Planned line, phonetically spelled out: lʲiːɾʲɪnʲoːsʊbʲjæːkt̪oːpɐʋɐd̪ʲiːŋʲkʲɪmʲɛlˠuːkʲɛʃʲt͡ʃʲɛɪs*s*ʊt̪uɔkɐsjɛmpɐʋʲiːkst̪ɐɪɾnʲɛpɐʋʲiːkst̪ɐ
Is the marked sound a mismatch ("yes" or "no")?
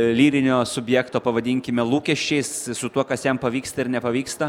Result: no